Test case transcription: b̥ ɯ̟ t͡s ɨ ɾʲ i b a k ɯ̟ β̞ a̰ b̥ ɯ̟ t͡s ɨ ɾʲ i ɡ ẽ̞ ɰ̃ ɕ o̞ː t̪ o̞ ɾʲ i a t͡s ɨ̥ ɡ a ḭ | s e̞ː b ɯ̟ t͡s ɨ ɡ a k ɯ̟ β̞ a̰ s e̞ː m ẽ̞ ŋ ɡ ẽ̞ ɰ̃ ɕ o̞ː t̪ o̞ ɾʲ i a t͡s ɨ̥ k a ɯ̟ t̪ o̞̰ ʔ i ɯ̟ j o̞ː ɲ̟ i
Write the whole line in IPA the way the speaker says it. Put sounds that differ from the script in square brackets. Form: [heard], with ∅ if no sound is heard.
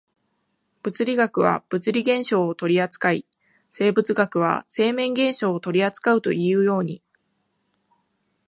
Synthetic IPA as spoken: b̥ ɯ̟ t͡s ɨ ɾʲ i [ɡ] a k ɯ̟ β̞ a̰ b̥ ɯ̟ t͡s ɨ ɾʲ i ɡ ẽ̞ ɰ̃ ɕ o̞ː t̪ o̞ ɾʲ i a t͡s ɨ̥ [k] a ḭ | s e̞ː b ɯ̟ t͡s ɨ ɡ a k ɯ̟ β̞ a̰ s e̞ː m ẽ̞ ŋ ɡ ẽ̞ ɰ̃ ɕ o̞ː t̪ o̞ ɾʲ i a t͡s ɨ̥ k a ɯ̟ t̪ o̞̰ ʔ i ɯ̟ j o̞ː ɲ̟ i